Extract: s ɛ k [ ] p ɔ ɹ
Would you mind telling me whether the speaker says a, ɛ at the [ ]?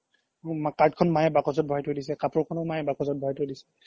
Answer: a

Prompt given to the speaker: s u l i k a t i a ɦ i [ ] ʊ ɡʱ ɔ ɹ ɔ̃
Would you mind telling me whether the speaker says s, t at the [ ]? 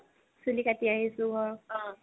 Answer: s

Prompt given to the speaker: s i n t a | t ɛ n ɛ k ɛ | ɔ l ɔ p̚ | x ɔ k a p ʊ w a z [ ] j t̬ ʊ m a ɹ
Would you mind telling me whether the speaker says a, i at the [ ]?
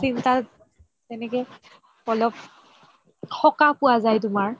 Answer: a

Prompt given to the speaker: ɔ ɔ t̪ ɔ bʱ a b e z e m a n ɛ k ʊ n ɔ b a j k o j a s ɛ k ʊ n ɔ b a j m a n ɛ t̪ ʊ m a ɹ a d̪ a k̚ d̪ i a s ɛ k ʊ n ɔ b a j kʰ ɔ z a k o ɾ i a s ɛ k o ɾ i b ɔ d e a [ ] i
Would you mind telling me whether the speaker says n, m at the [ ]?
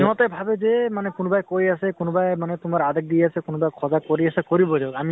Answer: m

